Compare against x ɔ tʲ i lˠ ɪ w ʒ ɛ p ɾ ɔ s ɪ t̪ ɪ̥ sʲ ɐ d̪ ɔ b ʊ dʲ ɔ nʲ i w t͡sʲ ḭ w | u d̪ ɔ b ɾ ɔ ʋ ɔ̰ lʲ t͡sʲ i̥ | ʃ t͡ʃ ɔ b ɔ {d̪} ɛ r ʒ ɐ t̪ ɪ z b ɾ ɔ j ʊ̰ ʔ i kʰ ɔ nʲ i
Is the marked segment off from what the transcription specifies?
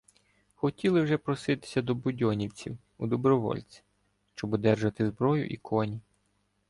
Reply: no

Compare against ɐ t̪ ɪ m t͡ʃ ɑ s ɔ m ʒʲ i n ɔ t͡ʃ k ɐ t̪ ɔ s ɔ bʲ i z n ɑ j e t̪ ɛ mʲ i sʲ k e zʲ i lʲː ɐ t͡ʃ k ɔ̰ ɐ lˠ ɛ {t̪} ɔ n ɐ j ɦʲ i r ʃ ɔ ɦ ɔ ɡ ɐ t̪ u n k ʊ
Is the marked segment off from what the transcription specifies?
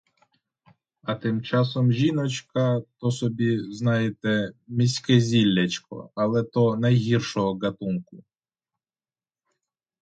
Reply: no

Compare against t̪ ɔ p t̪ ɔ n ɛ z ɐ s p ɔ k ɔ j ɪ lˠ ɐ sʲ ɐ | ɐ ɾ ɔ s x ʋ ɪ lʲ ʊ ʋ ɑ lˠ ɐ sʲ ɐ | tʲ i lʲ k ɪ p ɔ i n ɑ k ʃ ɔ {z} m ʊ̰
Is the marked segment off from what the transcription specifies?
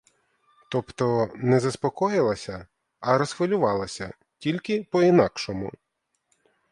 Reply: yes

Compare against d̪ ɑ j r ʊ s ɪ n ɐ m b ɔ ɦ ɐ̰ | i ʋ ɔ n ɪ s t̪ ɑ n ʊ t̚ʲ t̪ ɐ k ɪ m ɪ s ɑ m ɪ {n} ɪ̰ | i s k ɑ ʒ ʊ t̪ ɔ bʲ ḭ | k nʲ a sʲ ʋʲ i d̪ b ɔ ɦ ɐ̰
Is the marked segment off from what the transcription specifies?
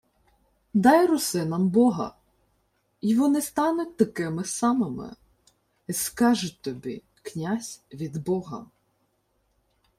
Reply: yes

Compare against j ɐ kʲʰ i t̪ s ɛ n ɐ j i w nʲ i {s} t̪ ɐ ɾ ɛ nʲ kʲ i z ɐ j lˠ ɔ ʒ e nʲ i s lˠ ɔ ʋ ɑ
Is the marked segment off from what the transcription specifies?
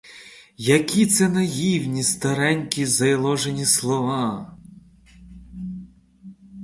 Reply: no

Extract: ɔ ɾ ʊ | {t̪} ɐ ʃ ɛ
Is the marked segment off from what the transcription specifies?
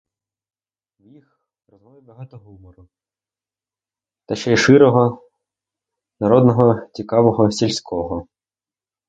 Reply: no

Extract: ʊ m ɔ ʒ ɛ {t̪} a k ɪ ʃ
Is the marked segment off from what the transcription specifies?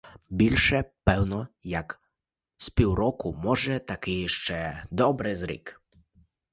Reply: no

